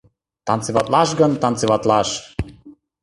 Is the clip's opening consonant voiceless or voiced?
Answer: voiceless